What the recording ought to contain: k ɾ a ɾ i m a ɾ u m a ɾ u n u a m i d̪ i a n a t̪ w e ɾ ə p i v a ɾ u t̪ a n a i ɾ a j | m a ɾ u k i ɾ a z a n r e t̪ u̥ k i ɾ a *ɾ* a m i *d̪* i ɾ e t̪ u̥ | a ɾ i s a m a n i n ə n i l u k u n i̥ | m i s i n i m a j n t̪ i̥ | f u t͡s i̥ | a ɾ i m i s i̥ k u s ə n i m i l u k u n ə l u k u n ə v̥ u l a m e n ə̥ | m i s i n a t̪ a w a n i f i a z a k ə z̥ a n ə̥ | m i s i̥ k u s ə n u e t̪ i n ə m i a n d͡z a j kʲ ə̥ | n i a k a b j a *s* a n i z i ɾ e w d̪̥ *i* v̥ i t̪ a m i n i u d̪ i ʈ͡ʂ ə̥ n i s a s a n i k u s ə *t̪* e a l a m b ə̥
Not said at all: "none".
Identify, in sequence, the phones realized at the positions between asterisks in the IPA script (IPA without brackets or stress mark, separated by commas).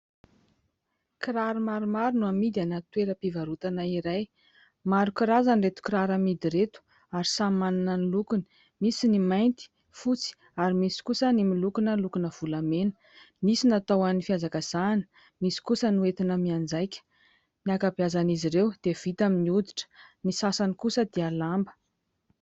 ɾ, d̪, z, e, d̪